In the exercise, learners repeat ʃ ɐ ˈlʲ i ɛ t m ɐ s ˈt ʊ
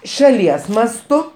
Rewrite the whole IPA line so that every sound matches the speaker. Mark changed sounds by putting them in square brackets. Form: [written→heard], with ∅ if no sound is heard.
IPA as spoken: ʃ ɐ ˈlʲ i ɛ [t→s] m ɐ s ˈt ʊ